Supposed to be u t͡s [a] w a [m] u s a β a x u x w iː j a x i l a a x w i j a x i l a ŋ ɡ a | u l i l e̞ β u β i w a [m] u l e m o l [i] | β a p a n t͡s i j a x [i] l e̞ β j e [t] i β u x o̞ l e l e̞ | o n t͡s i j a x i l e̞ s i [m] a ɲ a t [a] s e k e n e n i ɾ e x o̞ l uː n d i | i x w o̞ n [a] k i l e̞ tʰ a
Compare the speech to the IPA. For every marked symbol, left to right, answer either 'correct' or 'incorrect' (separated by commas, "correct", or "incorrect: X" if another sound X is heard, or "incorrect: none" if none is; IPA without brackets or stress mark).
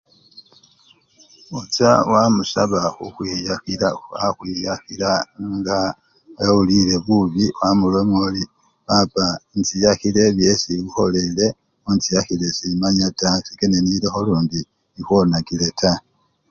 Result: correct, correct, correct, correct, correct, incorrect: s, correct, correct, correct